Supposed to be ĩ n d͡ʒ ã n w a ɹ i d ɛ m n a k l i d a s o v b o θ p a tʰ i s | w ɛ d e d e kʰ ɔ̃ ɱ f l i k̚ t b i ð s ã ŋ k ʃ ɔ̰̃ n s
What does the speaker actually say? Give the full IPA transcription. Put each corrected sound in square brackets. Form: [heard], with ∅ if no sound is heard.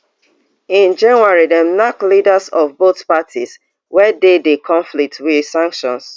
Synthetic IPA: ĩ n d͡ʒ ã n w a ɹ i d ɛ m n a k l i d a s [ɔ] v b o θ p a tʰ i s | w ɛ d e d e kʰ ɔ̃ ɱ f l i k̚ t [w] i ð s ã ŋ k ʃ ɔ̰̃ n s